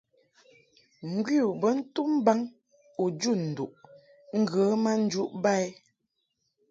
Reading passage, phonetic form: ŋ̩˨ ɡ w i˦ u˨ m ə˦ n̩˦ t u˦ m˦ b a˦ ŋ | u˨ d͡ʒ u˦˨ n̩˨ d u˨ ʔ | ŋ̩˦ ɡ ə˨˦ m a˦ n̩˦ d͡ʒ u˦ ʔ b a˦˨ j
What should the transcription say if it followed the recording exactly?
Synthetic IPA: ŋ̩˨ ɡ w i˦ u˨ b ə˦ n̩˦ t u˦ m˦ b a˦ ŋ | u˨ d͡ʒ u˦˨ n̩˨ d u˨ ʔ | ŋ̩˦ ɡ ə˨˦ m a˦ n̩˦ d͡ʒ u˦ ʔ b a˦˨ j